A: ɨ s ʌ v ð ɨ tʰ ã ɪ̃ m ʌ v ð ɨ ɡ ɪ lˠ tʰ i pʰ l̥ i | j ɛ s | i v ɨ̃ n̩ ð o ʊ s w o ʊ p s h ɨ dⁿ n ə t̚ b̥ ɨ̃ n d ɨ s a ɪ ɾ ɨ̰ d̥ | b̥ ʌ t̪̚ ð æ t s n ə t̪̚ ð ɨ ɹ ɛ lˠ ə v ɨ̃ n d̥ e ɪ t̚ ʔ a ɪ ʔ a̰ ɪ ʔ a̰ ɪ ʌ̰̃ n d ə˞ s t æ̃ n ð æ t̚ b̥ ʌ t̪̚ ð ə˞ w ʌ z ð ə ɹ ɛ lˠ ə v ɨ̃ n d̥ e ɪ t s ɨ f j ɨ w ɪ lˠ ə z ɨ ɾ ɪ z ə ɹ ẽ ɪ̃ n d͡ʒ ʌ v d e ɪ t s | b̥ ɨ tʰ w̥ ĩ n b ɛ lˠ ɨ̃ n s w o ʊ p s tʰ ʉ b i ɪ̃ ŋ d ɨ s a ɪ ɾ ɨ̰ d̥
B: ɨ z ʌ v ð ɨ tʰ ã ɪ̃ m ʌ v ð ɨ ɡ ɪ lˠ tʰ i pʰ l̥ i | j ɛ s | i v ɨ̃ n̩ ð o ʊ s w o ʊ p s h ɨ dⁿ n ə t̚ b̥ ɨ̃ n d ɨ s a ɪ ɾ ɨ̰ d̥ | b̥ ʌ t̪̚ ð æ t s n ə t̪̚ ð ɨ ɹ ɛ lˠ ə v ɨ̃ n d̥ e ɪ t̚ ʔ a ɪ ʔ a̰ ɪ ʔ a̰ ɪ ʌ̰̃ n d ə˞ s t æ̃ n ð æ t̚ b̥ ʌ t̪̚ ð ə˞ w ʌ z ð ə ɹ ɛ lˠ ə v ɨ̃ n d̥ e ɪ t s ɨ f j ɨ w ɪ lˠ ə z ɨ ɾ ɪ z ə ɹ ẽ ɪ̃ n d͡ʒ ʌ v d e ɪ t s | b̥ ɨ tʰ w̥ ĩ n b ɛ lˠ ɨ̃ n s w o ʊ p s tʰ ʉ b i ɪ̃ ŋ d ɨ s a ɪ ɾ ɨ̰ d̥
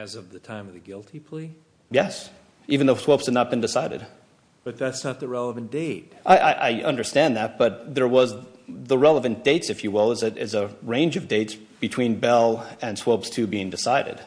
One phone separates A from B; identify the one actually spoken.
B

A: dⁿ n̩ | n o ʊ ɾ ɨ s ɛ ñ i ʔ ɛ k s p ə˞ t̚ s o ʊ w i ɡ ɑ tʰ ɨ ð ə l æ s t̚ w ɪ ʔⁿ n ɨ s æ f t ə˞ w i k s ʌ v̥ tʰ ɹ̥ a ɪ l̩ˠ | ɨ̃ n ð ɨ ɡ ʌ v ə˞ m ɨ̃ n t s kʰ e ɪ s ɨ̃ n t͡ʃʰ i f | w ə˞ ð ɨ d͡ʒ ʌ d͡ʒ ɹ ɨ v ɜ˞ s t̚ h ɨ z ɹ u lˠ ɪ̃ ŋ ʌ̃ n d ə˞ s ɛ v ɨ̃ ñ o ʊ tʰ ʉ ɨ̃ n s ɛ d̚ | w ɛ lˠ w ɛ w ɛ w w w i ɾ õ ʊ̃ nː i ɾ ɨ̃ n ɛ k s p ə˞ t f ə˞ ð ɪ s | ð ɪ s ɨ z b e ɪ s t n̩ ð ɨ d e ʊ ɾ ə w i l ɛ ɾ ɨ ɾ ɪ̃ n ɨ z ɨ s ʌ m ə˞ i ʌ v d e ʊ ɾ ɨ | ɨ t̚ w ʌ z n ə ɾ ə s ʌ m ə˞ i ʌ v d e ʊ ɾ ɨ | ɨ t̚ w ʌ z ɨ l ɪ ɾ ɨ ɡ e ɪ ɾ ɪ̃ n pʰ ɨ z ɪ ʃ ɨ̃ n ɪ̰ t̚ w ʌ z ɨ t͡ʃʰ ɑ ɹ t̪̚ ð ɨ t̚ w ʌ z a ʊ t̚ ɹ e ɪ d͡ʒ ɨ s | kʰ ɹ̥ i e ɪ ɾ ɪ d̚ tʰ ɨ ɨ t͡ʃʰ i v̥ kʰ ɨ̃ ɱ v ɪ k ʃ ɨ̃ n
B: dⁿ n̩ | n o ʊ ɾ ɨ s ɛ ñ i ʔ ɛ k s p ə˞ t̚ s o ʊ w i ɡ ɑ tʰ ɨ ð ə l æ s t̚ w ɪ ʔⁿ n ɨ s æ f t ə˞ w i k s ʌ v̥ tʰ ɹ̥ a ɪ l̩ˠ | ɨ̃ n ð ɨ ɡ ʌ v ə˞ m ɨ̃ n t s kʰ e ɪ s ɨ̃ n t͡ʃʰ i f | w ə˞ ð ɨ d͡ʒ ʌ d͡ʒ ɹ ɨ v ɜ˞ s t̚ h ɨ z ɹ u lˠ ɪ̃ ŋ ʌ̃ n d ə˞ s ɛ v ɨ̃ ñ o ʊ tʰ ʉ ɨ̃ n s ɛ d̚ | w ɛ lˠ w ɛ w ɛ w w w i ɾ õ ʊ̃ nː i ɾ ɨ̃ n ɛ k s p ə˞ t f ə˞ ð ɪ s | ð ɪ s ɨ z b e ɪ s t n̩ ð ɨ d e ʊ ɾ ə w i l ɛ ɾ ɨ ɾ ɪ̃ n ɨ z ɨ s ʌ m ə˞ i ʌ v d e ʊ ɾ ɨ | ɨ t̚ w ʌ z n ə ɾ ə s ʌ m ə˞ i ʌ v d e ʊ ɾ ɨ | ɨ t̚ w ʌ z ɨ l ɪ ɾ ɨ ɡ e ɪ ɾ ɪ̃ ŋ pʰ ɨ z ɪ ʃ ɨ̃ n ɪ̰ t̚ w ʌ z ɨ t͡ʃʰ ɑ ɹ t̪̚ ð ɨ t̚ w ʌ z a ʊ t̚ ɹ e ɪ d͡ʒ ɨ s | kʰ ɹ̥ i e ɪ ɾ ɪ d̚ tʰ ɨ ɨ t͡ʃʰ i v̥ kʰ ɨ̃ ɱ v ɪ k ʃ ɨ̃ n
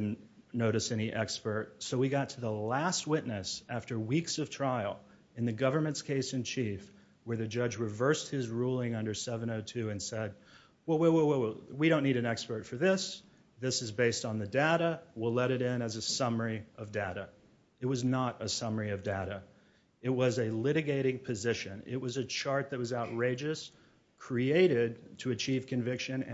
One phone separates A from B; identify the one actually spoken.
B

